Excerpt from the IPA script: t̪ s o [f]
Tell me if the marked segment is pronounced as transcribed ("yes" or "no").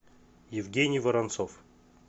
yes